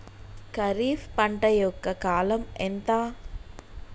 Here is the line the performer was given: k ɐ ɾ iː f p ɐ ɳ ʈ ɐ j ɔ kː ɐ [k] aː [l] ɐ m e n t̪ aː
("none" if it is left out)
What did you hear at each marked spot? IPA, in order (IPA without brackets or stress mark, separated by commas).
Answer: k, l